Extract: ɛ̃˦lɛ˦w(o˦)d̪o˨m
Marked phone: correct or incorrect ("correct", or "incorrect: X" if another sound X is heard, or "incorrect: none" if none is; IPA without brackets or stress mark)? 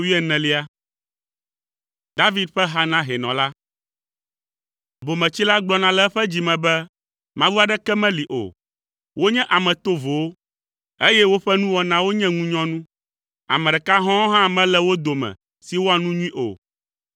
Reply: correct